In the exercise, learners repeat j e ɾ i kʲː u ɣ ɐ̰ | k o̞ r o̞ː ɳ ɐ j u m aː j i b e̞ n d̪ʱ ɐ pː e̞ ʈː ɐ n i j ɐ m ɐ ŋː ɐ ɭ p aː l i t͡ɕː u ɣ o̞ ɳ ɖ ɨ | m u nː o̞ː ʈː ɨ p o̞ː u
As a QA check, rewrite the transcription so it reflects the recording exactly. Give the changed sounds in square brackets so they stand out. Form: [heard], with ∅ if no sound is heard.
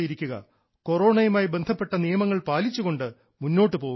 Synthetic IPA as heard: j [i] ɾ i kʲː u ɣ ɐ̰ | k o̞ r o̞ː ɳ ɐ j u m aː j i b e̞ n d̪ʱ ɐ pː e̞ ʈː ɐ n i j ɐ m ɐ ŋː ɐ ɭ p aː l i t͡ɕː u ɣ o̞ ɳ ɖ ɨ | m u nː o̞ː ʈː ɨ p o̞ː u